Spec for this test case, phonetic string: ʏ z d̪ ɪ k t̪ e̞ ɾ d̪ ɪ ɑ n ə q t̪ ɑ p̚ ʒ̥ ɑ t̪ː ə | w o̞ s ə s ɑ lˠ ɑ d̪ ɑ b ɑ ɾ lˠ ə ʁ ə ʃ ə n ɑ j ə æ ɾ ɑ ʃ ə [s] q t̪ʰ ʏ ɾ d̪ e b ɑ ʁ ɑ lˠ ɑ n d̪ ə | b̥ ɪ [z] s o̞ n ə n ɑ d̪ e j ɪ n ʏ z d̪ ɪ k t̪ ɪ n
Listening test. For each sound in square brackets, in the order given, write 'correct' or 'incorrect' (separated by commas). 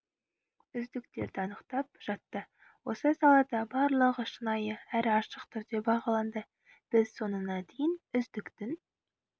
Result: incorrect, correct